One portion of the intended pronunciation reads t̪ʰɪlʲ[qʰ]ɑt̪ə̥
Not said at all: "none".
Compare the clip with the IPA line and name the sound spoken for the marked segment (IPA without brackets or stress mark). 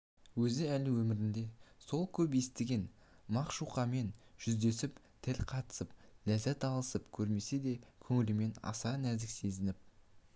qʰ